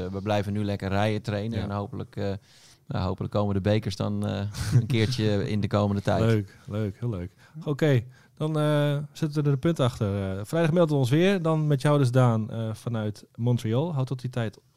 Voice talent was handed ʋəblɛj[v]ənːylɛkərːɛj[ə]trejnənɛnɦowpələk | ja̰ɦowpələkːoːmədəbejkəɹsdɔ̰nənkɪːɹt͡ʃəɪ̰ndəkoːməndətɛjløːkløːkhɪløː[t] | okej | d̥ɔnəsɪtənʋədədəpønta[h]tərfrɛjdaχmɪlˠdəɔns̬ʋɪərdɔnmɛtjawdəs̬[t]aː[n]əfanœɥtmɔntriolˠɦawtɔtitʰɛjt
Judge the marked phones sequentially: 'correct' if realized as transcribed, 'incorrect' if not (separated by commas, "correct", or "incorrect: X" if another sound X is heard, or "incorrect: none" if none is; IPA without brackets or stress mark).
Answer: correct, correct, incorrect: k, incorrect: x, incorrect: d, correct